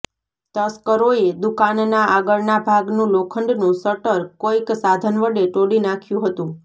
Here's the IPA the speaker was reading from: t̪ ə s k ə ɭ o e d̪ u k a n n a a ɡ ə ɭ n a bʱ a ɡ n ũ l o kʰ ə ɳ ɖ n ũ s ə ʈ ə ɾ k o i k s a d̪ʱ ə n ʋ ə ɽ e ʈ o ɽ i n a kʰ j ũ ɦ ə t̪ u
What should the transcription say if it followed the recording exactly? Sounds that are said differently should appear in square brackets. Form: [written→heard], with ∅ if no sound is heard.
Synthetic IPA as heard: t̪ ə s k ə [ɭ→ɾ] o e d̪ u k a n n a a ɡ ə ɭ n a bʱ a ɡ n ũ l o kʰ ə ɳ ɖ n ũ s ə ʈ ə ɾ k o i k s a d̪ʱ ə n ʋ ə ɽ e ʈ o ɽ i n a kʰ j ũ ɦ ə t̪ [u→ũ]

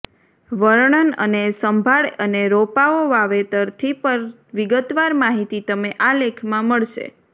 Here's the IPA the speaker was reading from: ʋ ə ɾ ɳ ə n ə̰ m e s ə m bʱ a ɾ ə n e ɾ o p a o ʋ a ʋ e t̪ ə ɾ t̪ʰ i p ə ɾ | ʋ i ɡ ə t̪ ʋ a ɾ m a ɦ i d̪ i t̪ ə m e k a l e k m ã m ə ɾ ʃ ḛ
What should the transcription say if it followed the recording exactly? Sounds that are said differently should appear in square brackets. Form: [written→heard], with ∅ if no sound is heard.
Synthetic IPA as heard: ʋ ə ɾ ɳ ə n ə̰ [m→n] e s ə m bʱ a [ɾ→ɭ] ə n e ɾ o p a o ʋ a ʋ e t̪ ə ɾ t̪ʰ i p ə ɾ | ʋ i ɡ ə t̪ ʋ a ɾ m a ɦ i [d̪→t̪] i t̪ ə m e [k→ʔ] a l e [k→kʰ] m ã m ə [ɾ→ɭ] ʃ ḛ

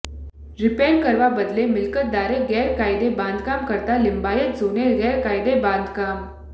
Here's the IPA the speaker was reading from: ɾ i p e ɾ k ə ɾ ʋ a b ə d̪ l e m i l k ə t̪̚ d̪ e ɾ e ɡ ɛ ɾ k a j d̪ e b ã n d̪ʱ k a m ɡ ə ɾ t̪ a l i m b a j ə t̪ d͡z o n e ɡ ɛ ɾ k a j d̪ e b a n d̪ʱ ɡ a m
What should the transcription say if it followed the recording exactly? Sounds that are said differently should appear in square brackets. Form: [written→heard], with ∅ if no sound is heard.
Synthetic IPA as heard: ɾ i p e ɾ k ə ɾ ʋ a b ə d̪ l e m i l k ə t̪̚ d̪ [e→a] ɾ e ɡ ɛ ɾ k a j d̪ e b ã n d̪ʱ k a m [ɡ→k] ə ɾ t̪ a l i m b a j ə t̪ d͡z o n e ɡ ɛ ɾ k a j d̪ e b a n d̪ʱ [ɡ→k] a m

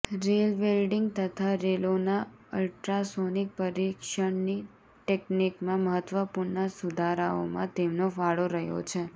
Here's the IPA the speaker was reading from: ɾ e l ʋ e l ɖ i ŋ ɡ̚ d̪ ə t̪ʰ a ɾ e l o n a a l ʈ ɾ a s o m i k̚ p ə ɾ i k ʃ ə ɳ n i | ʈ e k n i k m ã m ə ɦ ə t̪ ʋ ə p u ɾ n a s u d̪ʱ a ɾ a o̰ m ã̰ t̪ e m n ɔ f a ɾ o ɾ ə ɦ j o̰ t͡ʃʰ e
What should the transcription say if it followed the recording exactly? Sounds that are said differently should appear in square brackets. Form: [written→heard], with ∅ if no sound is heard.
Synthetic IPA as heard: ɾ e l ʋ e l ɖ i ŋ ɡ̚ [d̪→t̪] ə t̪ʰ a ɾ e l o n a [a→ə] l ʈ ɾ a s o [m→n] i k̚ p ə ɾ i k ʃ ə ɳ n i | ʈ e k n i k m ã m ə ɦ ə t̪ ʋ ə p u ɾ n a s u d̪ʱ a ɾ a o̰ m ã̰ t̪ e m n [ɔ→o] f a [ɾ→ɭ] o ɾ ə ɦ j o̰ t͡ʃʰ e

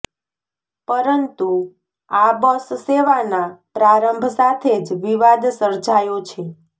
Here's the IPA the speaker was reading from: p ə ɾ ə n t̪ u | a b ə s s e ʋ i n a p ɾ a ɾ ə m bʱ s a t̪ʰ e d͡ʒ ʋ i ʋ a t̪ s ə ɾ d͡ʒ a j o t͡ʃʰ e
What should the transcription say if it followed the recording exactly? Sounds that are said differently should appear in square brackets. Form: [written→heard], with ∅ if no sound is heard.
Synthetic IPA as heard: p ə ɾ ə n t̪ u | a b ə s s e ʋ [i→a] n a p ɾ a ɾ ə m bʱ s a t̪ʰ e d͡ʒ ʋ i ʋ a [t̪→d̪] s ə ɾ d͡ʒ a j o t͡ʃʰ e

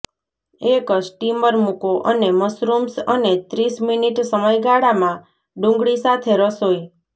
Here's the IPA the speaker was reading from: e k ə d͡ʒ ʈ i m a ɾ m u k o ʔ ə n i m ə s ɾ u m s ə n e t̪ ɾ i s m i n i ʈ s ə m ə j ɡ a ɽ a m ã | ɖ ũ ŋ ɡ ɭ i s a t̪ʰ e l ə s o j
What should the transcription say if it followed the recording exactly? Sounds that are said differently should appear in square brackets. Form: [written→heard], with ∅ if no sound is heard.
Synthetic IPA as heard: e k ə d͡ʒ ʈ i m [a→ə] ɾ m u k o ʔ ə n [i→e] m ə s ɾ u m s ə n e t̪ ɾ i s m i n i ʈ s ə m ə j ɡ a ɽ a m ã | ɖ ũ ŋ ɡ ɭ i s a t̪ʰ e [l→ɾ] ə s o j

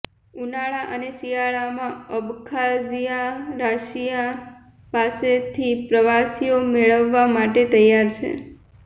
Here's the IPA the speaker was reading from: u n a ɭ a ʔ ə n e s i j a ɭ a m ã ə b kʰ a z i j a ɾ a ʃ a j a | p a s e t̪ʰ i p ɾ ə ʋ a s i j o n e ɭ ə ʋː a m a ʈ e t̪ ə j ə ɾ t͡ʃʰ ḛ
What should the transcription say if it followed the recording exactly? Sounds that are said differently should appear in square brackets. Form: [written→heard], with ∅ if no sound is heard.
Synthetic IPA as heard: u n a ɭ a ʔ ə n e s i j a ɭ a m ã ə b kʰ a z i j a ɾ a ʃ [a→i] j a | p a s e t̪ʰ i p ɾ ə ʋ a s i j o [n→m] e ɭ ə ʋː a m a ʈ e t̪ ə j [ə→a] ɾ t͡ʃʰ ḛ

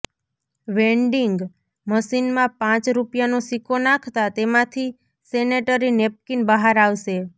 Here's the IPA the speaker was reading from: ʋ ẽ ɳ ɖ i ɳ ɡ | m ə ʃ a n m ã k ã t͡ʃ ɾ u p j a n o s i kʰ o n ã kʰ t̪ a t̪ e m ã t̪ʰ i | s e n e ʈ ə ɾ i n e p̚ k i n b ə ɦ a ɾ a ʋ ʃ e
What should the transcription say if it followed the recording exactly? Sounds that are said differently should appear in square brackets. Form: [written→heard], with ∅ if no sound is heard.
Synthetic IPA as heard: ʋ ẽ ɳ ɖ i [ɳ→ŋ] ɡ | m ə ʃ [a→i] n m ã [k→p] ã t͡ʃ ɾ u p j a n o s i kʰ o n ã kʰ t̪ a t̪ e m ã t̪ʰ i | s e n e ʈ ə ɾ i n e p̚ k i n b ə ɦ a ɾ a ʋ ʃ e

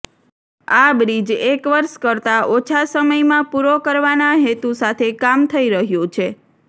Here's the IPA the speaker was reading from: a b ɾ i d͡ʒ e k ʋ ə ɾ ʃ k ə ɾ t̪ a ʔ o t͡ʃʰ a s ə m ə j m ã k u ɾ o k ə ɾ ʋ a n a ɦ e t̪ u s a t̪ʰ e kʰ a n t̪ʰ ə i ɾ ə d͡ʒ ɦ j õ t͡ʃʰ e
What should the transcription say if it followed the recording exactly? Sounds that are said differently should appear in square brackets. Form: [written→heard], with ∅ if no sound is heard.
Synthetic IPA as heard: a b ɾ i d͡ʒ e k ʋ ə ɾ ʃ k ə ɾ t̪ a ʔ o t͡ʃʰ a s ə m ə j m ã [k→p] u ɾ o k ə ɾ ʋ a n a ɦ e t̪ u s a t̪ʰ e [kʰ→k] a [n→m] t̪ʰ ə i ɾ ə [d͡ʒ→∅] ɦ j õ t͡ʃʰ e

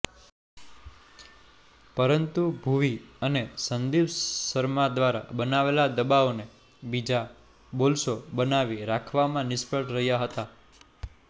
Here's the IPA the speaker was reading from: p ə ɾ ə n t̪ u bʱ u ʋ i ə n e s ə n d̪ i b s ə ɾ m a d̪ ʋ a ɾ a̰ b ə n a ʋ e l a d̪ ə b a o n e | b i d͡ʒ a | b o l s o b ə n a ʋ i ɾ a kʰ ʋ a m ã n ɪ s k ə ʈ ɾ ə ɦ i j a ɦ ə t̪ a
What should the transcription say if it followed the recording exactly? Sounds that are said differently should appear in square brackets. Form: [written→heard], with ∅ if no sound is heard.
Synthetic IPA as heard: p ə ɾ ə n t̪ u bʱ u ʋ i ə n e s ə n d̪ i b s ə ɾ m a d̪ ʋ a ɾ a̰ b ə n a ʋ e l a d̪ ə b a o n e | b i d͡ʒ a | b o l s o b ə n a ʋ i ɾ a kʰ ʋ a m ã n ɪ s [k→p] ə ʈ ɾ ə ɦ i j a ɦ ə t̪ a

